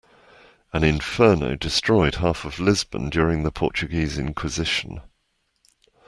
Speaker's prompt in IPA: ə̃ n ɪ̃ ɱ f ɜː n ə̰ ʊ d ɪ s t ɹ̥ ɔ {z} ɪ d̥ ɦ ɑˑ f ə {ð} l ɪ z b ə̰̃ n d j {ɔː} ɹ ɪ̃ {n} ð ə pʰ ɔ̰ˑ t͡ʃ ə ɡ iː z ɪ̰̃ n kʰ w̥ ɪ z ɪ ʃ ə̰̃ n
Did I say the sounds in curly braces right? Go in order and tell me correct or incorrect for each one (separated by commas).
incorrect, incorrect, correct, incorrect